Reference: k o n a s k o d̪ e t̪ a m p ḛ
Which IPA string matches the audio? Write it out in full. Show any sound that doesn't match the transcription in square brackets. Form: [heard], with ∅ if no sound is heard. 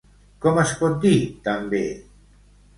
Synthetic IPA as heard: k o [m] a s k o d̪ [i] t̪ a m [b] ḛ